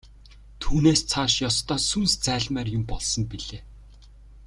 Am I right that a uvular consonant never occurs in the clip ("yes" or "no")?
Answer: yes